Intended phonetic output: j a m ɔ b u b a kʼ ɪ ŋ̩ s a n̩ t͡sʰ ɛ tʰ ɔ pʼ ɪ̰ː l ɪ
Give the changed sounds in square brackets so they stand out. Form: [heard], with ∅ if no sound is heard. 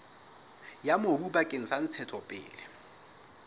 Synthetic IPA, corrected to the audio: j a m [o] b u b a kʼ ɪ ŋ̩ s a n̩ t͡sʰ ɛ tʰ ɔ pʼ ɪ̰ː l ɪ